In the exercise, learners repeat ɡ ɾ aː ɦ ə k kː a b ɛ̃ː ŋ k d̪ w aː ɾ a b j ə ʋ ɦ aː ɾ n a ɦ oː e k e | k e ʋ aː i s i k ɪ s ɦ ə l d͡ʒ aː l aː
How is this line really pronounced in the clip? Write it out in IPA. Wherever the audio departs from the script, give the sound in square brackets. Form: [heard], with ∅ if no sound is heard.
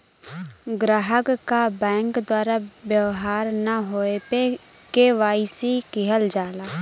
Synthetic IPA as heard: ɡ ɾ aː ɦ ə k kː a b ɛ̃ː ŋ k d̪ w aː ɾ a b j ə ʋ ɦ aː ɾ n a ɦ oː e [p] e | k e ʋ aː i s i k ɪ [∅] ɦ ə l d͡ʒ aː l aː